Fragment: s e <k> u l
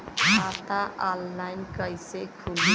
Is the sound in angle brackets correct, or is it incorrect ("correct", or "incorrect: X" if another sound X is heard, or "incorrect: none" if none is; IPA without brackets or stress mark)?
incorrect: kʰ